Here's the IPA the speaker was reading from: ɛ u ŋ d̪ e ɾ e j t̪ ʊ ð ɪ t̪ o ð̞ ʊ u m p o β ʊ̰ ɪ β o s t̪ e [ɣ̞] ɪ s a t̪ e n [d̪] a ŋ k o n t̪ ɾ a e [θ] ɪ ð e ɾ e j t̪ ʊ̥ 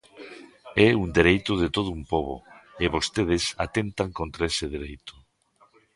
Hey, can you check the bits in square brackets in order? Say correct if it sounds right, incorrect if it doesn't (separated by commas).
incorrect, incorrect, incorrect